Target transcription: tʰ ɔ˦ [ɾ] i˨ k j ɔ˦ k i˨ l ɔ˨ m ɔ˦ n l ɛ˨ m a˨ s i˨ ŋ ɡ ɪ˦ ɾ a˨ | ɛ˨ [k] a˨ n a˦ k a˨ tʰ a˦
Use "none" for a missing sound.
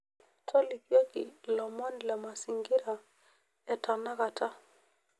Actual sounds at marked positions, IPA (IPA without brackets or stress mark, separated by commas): l, t